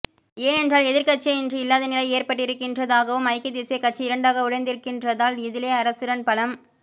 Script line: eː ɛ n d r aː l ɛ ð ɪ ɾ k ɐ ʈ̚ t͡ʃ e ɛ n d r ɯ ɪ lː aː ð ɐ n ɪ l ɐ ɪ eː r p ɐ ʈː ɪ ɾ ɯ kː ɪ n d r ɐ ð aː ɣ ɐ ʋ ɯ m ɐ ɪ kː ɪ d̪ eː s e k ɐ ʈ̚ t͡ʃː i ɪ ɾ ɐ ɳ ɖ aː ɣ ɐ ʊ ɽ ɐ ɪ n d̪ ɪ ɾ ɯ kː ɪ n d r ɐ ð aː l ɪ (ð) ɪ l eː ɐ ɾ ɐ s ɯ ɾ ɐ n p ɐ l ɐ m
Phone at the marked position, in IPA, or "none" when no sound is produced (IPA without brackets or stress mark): ð